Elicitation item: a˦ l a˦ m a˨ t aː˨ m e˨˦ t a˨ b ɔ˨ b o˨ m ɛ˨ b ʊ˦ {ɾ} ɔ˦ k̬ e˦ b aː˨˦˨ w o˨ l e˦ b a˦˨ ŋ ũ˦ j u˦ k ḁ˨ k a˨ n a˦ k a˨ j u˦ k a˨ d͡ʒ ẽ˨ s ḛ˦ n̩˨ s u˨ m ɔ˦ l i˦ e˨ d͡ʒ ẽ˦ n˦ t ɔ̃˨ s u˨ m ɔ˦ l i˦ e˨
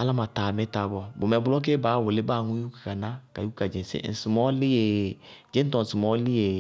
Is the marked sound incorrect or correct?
incorrect